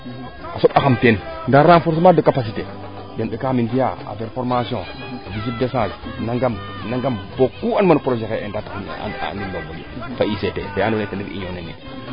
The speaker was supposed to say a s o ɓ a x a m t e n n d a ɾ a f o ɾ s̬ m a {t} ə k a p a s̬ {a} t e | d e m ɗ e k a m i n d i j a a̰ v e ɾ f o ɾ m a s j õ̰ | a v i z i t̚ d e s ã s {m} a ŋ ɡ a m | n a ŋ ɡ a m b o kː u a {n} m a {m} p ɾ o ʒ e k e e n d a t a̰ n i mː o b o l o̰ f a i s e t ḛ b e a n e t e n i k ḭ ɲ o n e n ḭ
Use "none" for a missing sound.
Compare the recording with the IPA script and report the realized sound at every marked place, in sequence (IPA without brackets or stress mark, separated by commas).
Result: d, i, n, n, n